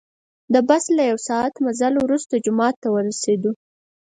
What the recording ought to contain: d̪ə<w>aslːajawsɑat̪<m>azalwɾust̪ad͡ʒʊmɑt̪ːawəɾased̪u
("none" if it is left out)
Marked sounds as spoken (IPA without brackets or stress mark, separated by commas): b, m